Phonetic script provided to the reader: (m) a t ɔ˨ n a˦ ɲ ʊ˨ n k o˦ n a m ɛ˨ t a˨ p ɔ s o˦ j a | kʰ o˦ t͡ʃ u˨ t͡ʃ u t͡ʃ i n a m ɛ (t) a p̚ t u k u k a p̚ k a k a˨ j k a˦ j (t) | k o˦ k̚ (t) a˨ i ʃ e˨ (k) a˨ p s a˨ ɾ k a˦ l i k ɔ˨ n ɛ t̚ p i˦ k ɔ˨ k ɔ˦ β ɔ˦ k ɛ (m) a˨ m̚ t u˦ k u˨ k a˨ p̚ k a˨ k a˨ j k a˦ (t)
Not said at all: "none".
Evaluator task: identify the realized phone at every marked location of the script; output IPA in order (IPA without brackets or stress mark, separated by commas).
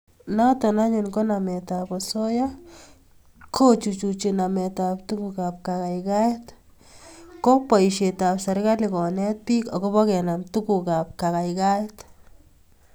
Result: n, t, t, p, t, n, t